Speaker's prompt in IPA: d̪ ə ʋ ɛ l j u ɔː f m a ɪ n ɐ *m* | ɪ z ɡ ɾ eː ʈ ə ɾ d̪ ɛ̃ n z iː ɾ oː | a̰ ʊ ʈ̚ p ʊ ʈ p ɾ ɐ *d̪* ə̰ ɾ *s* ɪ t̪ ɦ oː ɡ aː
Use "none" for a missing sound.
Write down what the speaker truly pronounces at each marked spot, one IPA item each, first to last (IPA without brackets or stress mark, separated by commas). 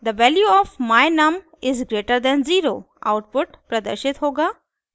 m, d̪, ʃ